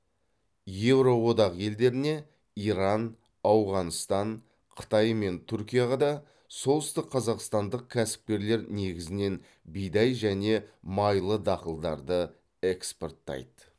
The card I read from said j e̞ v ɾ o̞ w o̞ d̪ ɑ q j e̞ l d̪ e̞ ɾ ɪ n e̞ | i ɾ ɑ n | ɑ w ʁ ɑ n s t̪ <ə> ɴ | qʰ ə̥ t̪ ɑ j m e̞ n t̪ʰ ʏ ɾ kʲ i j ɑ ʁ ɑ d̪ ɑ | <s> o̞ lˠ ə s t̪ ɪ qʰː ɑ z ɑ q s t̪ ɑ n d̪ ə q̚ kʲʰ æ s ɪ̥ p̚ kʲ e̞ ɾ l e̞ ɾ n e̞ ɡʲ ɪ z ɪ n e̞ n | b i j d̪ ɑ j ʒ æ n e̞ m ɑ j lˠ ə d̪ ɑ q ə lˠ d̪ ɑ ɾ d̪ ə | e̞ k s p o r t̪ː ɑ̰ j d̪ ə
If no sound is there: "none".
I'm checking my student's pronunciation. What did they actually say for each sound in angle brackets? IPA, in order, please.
ɑ, s

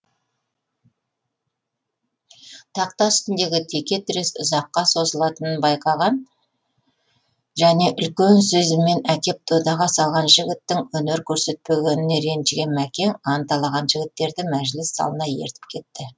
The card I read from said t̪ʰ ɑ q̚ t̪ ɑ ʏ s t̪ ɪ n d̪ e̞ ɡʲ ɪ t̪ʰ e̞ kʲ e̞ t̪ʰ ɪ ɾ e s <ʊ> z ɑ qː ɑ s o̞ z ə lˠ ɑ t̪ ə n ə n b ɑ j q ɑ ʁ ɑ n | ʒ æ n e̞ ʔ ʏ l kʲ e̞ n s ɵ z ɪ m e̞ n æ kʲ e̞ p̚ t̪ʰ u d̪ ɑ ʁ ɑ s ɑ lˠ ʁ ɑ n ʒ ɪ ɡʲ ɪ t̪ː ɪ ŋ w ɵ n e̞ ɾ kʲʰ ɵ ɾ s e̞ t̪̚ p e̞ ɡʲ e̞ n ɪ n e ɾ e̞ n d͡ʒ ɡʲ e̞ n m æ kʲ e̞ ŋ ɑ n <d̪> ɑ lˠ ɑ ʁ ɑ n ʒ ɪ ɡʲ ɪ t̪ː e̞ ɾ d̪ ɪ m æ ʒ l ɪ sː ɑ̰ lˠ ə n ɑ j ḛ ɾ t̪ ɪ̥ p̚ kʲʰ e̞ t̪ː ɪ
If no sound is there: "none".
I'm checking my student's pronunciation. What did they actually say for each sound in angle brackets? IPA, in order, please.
ʊ, t̪

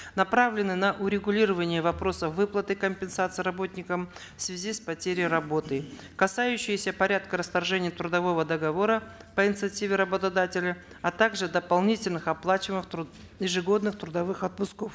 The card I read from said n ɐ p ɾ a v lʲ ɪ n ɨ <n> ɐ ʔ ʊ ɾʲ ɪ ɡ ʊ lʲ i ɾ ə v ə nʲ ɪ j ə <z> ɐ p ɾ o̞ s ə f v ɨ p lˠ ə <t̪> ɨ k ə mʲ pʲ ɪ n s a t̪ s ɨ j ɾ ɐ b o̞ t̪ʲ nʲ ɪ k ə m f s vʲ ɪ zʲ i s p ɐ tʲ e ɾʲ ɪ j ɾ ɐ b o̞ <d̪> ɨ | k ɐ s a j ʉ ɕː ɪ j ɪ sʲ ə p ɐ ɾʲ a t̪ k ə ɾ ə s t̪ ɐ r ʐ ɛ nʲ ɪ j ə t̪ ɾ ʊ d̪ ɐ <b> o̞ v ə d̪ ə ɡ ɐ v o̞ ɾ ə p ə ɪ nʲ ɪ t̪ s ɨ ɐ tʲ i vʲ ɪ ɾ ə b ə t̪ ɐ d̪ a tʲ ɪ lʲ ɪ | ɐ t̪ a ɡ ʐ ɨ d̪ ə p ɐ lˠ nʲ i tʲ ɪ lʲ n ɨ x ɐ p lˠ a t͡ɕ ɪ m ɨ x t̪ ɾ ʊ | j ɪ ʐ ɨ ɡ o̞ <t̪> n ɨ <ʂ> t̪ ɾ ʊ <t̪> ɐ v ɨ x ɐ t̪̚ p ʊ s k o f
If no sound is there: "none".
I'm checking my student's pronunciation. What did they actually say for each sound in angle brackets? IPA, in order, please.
n, v, t̪, t̪, v, d̪, x, d̪

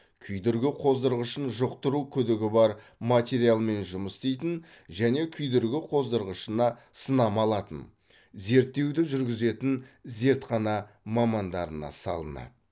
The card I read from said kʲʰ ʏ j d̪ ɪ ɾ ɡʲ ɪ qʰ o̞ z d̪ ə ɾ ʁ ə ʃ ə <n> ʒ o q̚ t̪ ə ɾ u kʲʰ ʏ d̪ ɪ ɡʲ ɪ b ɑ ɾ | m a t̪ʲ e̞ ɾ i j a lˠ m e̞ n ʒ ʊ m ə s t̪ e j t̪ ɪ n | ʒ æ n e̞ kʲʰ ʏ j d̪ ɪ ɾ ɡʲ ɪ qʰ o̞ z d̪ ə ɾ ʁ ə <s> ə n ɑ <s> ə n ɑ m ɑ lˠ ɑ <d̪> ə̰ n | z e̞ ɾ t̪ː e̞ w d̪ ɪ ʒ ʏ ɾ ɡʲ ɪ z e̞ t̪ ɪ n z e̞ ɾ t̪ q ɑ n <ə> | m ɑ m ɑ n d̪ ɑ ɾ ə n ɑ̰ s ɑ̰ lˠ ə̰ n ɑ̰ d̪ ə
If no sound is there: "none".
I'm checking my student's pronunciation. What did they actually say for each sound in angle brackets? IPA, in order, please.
n, ʃ, s, t̪, ɑ

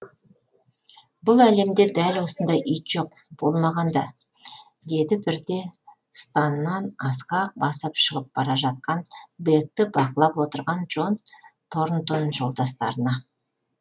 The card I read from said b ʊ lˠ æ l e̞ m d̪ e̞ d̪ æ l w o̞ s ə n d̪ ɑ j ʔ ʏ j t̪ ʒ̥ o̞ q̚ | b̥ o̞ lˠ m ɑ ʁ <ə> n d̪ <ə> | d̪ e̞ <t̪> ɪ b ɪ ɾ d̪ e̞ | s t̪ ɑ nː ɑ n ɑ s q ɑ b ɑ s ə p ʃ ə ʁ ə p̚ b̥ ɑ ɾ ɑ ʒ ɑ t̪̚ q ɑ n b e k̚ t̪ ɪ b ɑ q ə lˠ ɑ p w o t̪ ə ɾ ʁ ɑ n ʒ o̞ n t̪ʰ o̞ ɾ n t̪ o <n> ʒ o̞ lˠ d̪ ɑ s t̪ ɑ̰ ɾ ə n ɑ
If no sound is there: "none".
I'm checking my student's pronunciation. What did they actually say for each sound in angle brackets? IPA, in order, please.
ɑ, ɑ, d̪, n

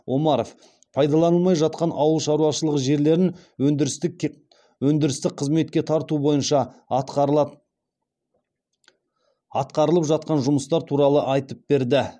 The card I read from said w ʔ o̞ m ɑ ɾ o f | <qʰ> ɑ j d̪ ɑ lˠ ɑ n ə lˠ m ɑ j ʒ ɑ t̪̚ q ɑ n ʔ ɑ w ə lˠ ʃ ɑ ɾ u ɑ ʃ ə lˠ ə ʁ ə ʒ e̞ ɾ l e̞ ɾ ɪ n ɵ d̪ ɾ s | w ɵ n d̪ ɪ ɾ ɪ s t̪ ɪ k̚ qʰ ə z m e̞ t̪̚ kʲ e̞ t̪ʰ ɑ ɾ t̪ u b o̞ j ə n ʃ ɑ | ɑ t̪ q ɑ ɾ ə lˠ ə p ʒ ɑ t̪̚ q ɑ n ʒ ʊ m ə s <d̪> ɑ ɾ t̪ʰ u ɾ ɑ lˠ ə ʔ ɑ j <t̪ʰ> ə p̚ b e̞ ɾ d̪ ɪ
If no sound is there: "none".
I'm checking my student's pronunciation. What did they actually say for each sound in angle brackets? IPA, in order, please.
pʰ, t̪, t̪

